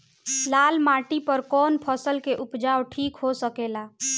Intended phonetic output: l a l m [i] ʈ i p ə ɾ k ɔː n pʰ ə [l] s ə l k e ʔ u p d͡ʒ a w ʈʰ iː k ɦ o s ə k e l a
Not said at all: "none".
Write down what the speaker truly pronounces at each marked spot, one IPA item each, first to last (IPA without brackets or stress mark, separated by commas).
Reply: a, none